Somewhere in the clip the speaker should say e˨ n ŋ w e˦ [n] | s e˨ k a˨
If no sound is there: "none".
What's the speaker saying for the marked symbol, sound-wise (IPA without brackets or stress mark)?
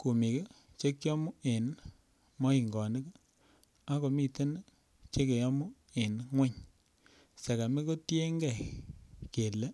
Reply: ɲ